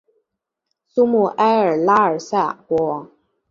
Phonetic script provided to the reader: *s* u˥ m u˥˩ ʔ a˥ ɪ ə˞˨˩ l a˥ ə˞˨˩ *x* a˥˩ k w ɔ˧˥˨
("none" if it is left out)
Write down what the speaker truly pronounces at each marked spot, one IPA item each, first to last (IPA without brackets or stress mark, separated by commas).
s, s